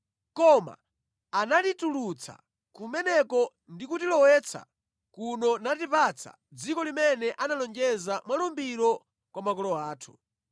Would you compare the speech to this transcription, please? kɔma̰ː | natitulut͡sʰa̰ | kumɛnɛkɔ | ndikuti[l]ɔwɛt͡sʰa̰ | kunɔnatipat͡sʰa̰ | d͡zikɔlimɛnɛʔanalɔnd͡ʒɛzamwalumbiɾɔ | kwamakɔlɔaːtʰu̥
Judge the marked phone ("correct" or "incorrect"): correct